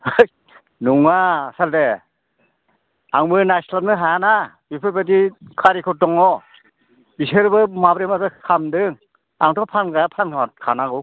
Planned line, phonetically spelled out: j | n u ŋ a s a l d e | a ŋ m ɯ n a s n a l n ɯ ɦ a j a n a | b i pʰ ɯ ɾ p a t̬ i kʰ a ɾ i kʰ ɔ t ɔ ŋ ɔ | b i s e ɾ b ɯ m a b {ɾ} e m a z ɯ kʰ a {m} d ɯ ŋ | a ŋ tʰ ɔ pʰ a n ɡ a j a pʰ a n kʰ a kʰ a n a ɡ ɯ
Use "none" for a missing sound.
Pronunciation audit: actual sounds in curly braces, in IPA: ɾ, m

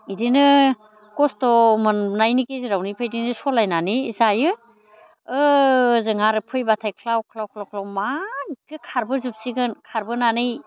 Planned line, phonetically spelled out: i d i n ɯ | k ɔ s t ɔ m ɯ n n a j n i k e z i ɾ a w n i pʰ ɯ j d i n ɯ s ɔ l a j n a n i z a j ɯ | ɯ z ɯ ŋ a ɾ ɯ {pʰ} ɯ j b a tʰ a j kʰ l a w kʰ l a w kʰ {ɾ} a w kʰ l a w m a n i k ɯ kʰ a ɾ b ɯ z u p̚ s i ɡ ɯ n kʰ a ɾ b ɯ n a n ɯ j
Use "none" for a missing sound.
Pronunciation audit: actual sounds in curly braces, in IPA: pʰ, l

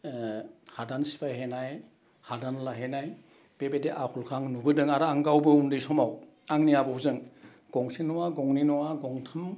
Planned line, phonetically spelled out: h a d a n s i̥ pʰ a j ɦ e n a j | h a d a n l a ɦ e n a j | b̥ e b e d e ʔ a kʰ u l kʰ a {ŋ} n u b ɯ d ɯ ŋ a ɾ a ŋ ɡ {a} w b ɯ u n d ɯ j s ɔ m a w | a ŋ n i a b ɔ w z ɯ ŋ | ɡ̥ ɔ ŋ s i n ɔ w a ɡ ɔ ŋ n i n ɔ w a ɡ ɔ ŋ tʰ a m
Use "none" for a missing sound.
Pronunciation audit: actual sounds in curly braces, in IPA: ŋ, a

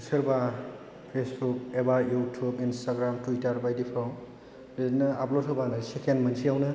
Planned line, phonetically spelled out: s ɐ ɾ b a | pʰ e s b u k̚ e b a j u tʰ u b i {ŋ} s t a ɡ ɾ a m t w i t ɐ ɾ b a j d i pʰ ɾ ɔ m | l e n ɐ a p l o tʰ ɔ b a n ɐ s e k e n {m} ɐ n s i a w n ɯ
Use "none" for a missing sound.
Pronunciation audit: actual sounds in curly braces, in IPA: n, m

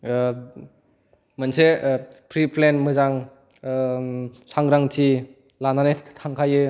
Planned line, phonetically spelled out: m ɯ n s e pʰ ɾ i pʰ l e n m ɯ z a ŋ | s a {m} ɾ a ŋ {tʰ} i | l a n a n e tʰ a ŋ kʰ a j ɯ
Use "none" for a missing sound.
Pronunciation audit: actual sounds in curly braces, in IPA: ŋ, tʰ

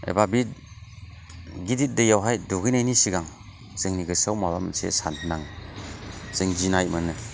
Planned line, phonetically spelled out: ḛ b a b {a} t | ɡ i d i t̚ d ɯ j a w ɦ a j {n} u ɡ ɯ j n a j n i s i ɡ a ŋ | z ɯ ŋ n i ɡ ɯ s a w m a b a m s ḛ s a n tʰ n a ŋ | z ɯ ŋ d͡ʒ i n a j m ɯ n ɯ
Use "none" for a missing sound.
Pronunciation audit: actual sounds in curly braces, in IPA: i, d

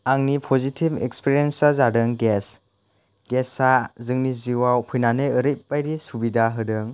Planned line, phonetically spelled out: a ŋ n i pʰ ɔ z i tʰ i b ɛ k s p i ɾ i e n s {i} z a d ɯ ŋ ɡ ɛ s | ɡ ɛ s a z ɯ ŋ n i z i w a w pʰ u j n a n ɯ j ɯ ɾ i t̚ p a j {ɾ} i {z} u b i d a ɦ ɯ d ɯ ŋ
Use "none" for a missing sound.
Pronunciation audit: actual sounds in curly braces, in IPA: a, ɾ, s

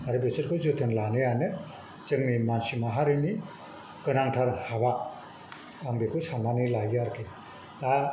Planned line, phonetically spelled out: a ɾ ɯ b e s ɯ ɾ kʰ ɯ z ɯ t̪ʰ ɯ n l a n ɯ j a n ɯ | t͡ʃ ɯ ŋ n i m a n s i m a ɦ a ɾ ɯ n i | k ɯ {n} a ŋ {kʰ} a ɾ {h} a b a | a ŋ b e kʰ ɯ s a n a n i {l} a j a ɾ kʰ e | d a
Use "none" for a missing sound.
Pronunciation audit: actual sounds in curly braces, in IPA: n, tʰ, h, l

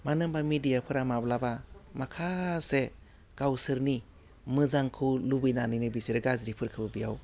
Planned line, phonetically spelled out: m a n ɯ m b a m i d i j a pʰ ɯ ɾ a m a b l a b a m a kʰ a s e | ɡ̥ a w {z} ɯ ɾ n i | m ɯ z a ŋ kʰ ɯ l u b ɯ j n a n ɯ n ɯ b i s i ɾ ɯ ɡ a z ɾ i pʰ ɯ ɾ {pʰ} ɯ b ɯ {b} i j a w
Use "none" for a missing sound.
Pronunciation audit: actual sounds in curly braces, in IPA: s, kʰ, b

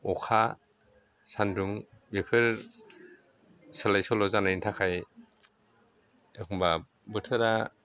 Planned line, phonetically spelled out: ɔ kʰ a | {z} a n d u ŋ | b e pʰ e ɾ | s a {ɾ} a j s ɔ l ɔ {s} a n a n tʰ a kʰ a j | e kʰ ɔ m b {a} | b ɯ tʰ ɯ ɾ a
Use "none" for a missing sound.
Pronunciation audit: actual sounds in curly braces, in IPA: s, l, z, a

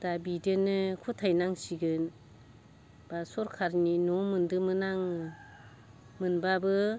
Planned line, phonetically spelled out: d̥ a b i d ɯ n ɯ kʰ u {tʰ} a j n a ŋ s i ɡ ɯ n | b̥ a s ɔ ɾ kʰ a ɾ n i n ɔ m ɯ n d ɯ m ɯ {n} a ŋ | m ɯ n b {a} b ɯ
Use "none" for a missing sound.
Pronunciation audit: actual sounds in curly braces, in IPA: tʰ, n, a

